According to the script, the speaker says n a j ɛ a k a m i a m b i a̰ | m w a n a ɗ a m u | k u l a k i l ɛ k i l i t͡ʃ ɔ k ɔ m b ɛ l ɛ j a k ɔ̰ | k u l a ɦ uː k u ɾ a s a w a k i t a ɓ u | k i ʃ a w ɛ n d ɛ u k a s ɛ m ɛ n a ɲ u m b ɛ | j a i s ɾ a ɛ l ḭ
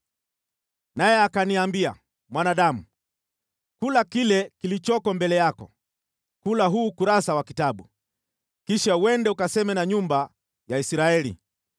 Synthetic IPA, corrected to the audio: n a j ɛ a k a n i a m b i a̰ | m w a n a ɗ a m u | k u l a k i l ɛ k i l i t͡ʃ ɔ k ɔ m b ɛ l ɛ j a k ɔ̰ | k u l a ɦ uː k u ɾ a s a w a k i t a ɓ u | k i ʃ a w ɛ n d ɛ u k a s ɛ m ɛ n a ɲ u m b a | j a i s ɾ a ɛ l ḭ